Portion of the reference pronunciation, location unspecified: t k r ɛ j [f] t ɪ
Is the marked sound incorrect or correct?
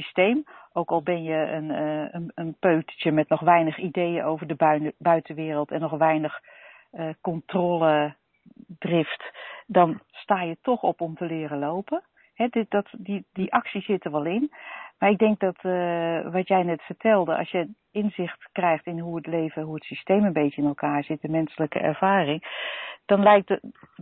incorrect